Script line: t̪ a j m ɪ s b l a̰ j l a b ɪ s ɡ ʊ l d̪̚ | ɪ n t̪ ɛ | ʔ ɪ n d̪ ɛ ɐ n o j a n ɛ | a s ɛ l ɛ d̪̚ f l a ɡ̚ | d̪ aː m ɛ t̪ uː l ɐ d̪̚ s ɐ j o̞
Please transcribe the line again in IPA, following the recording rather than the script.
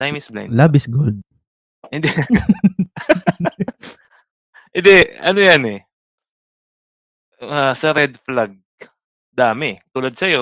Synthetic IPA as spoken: t̪ a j m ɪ s b l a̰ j l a b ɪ s ɡ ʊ l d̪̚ | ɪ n d̪ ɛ | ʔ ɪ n d̪ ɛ ɐ n o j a n ɛ | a s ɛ ɾ ɛ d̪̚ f l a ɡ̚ | d̪ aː m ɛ t̪ uː l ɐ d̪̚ s ɐ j o̞